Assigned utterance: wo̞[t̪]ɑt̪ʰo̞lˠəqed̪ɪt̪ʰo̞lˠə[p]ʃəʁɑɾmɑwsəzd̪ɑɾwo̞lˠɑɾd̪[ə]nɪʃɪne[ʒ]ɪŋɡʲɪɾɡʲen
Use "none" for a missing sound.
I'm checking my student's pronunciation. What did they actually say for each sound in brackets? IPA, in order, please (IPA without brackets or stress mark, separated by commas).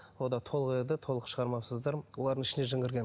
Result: d̪, q, ə, ʒ